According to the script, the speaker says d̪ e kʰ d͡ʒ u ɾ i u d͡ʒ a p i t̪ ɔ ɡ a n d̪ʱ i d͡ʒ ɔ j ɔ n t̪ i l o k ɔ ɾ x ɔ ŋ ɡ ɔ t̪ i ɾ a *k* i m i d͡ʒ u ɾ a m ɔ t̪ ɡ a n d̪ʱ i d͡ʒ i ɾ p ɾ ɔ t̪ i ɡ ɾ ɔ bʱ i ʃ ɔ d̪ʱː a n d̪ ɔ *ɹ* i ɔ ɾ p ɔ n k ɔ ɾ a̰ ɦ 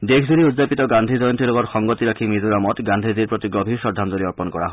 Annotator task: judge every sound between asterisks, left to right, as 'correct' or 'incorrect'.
incorrect: kʰ, incorrect: ɾ

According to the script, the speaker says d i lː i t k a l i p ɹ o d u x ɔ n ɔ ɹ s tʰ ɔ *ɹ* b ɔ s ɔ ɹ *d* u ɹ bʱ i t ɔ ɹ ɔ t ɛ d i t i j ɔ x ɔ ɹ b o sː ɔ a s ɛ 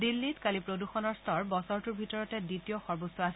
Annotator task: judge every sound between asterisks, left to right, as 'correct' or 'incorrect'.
correct, incorrect: t

